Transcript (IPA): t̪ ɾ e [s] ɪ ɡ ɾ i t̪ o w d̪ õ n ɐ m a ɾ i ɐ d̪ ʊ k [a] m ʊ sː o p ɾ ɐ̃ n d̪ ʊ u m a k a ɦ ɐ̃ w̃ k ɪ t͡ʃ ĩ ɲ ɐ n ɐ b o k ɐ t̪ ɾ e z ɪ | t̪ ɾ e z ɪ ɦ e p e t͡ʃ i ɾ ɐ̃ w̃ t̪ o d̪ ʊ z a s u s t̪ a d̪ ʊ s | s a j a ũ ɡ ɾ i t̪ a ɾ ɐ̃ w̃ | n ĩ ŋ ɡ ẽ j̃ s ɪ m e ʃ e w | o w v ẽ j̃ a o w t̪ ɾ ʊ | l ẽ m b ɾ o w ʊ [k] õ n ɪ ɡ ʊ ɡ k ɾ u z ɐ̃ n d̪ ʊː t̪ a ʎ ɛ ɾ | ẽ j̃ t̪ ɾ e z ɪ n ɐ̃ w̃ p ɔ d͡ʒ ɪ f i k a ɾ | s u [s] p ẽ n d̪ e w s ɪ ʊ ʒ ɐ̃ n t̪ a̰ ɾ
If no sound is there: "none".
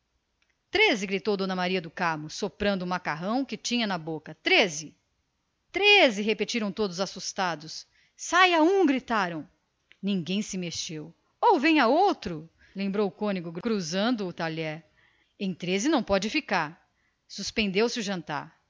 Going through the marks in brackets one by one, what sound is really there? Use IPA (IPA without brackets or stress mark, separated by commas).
z, a, k, s